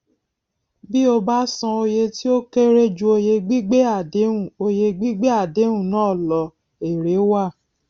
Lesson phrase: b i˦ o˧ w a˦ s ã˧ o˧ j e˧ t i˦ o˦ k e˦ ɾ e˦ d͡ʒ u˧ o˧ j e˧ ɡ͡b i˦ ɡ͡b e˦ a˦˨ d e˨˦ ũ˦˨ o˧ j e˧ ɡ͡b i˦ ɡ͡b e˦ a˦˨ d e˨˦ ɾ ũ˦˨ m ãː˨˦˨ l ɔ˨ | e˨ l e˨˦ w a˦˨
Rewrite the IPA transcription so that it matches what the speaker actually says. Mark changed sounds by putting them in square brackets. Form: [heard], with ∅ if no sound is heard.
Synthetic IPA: b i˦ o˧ [b] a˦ s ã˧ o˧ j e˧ t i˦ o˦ k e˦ ɾ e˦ d͡ʒ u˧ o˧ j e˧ ɡ͡b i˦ ɡ͡b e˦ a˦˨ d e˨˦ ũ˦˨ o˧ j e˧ ɡ͡b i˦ ɡ͡b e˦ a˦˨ d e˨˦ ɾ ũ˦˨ [n] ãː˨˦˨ l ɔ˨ | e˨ [ɾ] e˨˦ w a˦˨